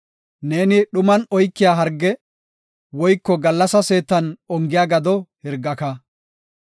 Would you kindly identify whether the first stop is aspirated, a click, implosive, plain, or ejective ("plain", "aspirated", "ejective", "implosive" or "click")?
implosive